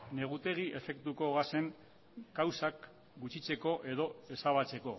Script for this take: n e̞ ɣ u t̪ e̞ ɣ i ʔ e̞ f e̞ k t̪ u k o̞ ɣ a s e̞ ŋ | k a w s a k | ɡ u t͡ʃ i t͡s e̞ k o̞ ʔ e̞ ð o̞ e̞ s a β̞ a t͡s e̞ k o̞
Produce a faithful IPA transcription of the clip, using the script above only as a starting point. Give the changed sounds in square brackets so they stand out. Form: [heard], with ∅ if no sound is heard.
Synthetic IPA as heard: n e̞ ɣ u t̪ e̞ ɣ i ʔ e̞ f e̞ k t̪ u k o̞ ɣ a s e̞ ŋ | k a w s a k | ɡ u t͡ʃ i t͡s e̞ k o̞ ʔ e̞ ð o̞ e̞ s a β̞ a t͡s e̞ k o̞